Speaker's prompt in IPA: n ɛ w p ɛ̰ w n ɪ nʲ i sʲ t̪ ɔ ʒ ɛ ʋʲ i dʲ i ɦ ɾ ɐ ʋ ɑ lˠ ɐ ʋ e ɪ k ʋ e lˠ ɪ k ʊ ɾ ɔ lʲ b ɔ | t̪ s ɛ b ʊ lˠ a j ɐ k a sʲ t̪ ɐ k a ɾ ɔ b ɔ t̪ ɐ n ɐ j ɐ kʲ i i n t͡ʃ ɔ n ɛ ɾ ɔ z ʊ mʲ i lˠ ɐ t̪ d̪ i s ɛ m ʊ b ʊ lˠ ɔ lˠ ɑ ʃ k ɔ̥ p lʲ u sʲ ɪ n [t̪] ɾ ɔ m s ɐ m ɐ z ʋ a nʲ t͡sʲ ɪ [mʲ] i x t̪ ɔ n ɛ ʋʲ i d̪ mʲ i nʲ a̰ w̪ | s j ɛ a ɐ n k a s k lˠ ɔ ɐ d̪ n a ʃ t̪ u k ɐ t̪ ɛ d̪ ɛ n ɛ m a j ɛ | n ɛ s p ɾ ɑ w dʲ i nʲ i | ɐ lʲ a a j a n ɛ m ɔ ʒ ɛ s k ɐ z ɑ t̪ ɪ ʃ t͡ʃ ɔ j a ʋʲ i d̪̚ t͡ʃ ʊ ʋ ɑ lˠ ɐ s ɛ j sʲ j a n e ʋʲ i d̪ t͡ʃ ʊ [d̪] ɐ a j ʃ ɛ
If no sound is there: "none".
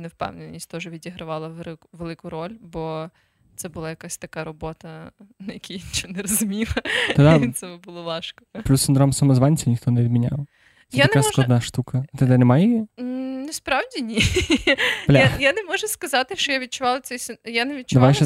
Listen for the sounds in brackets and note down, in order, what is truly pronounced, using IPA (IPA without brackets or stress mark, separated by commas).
d̪, nʲ, d̪